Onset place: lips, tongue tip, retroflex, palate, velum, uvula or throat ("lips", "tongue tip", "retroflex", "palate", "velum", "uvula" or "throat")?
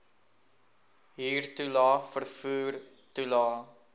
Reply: throat